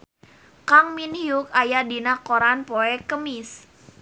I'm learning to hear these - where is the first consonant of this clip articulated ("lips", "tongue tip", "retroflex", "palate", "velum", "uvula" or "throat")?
velum